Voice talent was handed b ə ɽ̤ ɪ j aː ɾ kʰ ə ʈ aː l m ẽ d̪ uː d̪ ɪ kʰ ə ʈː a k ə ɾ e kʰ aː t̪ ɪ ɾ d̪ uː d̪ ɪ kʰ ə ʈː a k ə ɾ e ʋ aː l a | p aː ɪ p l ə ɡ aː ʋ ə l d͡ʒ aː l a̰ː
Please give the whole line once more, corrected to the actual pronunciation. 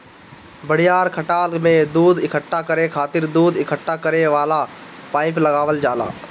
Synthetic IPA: b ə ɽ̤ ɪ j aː ɾ kʰ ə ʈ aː l m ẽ d̪ uː d̪ ɪ kʰ ə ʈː a k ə ɾ e kʰ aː t̪ ɪ ɾ d̪ uː d̪ ɪ kʰ ə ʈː a k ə ɾ e ʋ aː l a | p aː ɪ p l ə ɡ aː ʋ ə l d͡ʒ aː l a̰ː